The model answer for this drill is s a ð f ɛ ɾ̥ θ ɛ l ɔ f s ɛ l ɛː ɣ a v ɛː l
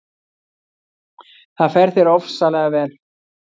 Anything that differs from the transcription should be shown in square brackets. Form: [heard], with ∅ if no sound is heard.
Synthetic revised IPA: [θ] a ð f ɛ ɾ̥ θ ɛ [ɾ] ɔ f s [a] l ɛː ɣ a v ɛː l